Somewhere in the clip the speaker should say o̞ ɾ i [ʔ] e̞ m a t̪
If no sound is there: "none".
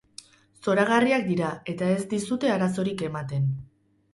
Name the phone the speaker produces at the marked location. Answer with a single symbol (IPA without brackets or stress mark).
k